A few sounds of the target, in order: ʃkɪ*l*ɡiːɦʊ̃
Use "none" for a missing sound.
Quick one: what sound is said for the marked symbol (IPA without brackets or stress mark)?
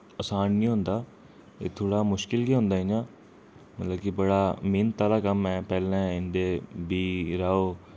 l